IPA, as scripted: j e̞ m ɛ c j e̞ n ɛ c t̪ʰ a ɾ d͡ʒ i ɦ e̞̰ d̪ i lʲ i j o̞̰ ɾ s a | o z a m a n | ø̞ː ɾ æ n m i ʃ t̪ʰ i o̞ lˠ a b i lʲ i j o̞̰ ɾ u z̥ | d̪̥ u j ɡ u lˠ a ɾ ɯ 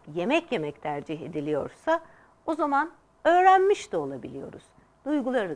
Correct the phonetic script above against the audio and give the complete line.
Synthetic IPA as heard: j e̞ m ɛ c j e̞ m ɛ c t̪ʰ æ ɾ d͡ʒ i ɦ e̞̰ d̪ i lʲ i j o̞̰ ɾ s a | o z a m a n | ø̞ː ɾ æ n m i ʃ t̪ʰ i o̞ lˠ a b i lʲ i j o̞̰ ɾ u z̥ | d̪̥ u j ɡ u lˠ a ɾ ɯ